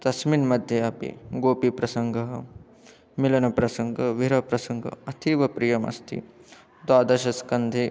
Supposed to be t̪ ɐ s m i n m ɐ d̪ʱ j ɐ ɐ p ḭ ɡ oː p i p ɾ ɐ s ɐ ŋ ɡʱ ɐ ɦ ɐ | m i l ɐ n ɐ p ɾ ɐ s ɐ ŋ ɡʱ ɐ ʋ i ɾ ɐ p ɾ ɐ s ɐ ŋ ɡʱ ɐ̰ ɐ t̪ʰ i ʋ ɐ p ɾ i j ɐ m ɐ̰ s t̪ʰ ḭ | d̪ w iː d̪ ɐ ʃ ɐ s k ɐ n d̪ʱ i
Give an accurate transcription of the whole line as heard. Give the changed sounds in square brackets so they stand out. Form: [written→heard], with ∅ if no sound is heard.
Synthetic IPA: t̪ ɐ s m i n m ɐ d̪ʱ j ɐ ɐ p ḭ ɡ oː p i p ɾ ɐ s ɐ ŋ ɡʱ ɐ ɦ ɐ | m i l ɐ n ɐ p ɾ ɐ s ɐ ŋ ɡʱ ɐ ʋ i ɾ ɐ p ɾ ɐ s ɐ ŋ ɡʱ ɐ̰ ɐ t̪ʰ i ʋ ɐ p ɾ i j ɐ m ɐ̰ s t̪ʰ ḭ | d̪ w [iː→aː] d̪ ɐ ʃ ɐ s k ɐ n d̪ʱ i